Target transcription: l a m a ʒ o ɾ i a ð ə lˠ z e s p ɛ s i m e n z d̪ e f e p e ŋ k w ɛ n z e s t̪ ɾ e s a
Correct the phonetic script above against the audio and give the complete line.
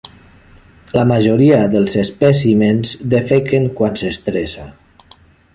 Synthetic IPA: l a m a ʒ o ɾ i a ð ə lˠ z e s p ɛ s i m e n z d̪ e f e k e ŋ k w a n s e s t̪ ɾ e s a